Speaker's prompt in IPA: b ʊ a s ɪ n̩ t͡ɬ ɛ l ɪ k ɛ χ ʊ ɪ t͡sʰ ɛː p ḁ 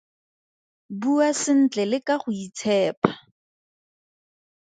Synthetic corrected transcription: b u a s ɪ n̩ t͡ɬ ɛ l ɪ k a χ ʊ i t͡sʰ ɛː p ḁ